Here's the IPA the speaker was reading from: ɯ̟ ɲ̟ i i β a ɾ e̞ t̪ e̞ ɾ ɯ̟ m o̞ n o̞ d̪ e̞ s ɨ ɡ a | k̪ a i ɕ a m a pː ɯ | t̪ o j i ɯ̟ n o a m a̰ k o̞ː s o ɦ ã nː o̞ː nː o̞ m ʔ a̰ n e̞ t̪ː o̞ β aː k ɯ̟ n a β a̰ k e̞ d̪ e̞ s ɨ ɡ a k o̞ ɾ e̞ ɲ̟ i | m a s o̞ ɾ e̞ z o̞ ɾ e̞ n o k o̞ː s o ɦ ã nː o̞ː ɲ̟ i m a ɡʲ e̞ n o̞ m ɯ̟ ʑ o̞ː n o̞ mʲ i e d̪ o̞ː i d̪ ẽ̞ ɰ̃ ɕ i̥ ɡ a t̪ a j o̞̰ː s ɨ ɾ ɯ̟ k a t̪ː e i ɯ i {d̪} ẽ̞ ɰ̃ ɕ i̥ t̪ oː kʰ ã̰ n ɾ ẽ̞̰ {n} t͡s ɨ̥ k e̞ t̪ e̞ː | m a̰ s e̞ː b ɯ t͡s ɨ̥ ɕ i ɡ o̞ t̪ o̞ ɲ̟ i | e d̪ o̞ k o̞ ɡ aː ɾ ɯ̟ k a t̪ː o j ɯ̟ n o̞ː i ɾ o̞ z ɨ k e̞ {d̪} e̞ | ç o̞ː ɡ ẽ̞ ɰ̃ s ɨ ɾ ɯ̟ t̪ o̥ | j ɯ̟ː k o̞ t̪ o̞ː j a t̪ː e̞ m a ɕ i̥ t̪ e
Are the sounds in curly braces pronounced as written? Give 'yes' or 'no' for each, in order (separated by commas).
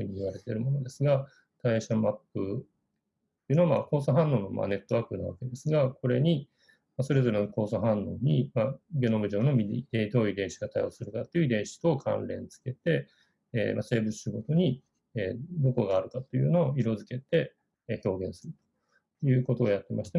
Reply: yes, yes, no